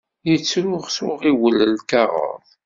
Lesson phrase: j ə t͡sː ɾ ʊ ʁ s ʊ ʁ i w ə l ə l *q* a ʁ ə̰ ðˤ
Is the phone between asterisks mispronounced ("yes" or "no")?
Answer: yes